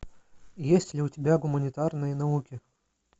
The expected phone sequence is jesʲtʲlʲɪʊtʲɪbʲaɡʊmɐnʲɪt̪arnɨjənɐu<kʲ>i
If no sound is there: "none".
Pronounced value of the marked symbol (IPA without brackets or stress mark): kʲ